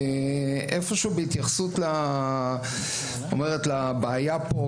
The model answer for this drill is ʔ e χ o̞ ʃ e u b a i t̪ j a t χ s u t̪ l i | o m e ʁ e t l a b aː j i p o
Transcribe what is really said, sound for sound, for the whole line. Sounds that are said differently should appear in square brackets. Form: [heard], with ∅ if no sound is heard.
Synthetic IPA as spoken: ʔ e [f] o̞ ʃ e u b [e] i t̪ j a [∅] χ s u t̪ l [a] | o m e ʁ e t l a b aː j [a] p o